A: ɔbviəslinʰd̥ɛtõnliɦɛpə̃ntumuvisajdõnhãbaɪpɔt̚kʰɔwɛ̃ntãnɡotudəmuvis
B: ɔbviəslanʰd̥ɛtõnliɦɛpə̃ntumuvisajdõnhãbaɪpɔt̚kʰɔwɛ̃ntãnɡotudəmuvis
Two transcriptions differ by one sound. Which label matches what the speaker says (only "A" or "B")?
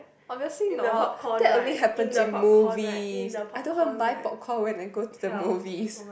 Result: A